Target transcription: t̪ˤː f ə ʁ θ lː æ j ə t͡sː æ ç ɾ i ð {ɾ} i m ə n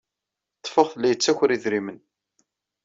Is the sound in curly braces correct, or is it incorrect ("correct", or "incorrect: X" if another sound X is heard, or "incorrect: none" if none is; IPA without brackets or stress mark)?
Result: correct